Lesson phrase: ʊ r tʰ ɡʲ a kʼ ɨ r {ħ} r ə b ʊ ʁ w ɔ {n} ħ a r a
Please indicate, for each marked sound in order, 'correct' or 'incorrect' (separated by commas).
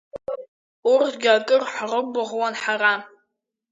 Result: correct, correct